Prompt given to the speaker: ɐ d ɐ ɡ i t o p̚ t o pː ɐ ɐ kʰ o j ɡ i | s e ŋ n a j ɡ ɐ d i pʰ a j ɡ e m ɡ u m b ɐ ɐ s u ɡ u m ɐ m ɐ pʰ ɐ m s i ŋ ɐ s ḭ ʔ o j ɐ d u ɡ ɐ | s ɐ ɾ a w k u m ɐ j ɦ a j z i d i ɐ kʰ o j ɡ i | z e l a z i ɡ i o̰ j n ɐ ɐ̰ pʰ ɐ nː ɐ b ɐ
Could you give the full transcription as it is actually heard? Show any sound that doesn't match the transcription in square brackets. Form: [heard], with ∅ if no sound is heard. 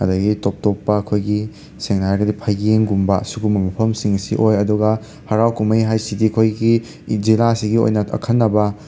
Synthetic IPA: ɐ d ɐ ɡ i t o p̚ t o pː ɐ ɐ kʰ o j ɡ i | s e ŋ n a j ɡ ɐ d i pʰ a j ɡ e [ŋ] ɡ u m b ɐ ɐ s u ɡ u m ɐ m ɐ pʰ ɐ m s i ŋ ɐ s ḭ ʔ o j ɐ d u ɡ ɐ | [h] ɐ ɾ a w k u m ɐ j ɦ a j [s] i d i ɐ kʰ o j ɡ i | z [i] l a [s] i ɡ i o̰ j n ɐ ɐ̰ [kʰ] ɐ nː ɐ b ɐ